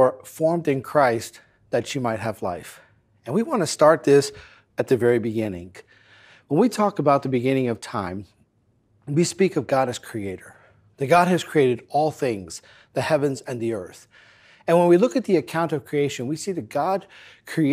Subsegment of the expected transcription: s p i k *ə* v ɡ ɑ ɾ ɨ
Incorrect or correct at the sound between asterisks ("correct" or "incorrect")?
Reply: incorrect